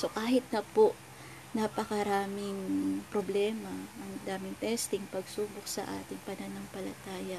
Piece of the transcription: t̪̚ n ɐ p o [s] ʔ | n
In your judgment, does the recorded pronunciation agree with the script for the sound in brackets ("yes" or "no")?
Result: no